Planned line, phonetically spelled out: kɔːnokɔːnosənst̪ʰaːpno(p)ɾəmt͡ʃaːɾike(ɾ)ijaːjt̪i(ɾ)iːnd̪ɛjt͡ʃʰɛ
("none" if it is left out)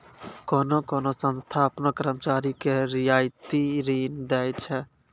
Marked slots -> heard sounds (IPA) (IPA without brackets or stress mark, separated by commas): k, ɾ, ɾ